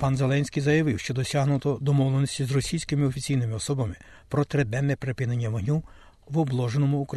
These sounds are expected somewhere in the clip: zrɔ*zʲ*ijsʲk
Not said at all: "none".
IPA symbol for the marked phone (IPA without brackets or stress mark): sʲ